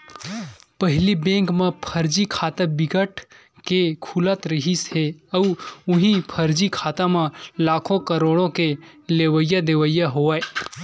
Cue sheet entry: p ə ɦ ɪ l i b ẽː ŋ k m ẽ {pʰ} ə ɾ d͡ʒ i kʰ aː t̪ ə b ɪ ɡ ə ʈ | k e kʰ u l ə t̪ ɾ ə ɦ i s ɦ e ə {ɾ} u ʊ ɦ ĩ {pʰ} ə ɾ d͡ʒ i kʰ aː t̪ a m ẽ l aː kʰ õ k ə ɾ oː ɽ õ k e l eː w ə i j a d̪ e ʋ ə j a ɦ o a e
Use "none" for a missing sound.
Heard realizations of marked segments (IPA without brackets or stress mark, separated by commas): pʰ, none, pʰ